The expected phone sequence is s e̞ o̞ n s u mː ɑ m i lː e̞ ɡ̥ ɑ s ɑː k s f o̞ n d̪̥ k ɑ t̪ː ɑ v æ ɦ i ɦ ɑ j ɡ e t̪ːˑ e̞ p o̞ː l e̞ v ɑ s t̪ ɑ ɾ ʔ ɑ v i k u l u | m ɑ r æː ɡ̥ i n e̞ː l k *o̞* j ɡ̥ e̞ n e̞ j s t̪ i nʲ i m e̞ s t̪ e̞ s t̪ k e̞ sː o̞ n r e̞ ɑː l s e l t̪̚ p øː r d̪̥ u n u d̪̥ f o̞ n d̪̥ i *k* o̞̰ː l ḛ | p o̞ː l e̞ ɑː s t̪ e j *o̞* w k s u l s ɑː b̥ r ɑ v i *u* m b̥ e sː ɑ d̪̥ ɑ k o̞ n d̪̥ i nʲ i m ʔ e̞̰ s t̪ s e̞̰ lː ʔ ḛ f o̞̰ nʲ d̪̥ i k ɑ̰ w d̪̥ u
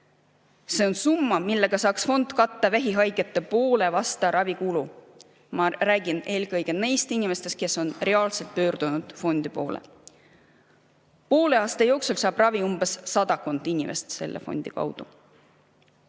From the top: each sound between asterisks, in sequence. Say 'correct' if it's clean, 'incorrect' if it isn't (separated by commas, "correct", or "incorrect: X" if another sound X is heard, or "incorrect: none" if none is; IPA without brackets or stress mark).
incorrect: ɤ̞, incorrect: p, correct, correct